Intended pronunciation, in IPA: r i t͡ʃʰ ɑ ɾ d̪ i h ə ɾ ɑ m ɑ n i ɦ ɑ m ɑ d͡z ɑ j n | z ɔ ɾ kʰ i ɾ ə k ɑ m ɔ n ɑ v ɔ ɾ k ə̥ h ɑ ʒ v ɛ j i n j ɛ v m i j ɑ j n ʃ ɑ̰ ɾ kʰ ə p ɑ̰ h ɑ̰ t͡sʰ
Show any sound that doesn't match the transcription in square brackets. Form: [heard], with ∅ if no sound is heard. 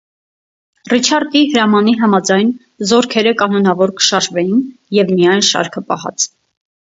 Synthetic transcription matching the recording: r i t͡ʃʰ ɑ ɾ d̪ i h ə ɾ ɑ m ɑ n i ɦ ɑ m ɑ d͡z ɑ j n | z ɔ ɾ kʰ [ɛ] ɾ ə k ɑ [n] ɔ n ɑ v ɔ ɾ k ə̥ [ʃ] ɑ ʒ v ɛ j i n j ɛ v m i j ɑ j n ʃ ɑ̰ ɾ kʰ ə p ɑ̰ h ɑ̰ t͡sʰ